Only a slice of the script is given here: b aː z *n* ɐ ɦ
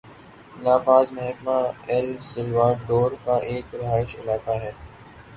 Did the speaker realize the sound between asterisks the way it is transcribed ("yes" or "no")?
no